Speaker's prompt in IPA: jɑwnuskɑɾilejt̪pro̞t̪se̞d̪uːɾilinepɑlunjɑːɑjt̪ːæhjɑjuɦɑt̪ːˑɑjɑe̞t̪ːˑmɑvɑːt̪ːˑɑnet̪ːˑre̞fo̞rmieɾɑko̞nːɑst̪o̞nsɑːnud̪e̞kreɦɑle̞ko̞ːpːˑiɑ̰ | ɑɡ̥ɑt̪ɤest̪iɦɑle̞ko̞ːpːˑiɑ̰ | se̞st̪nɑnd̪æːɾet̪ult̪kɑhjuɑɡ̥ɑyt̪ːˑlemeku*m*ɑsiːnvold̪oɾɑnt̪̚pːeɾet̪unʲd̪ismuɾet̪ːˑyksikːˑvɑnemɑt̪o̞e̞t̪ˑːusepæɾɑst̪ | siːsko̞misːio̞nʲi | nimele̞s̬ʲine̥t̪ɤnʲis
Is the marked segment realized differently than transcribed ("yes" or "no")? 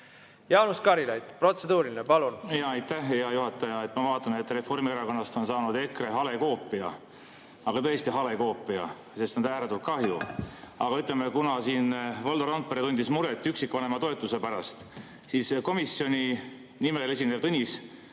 yes